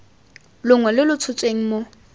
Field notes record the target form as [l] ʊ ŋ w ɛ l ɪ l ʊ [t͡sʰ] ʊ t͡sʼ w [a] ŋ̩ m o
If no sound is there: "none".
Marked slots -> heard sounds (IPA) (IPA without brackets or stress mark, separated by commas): l, t͡sʰ, e